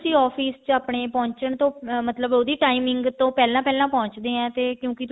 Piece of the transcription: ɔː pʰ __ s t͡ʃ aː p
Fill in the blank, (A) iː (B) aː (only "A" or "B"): A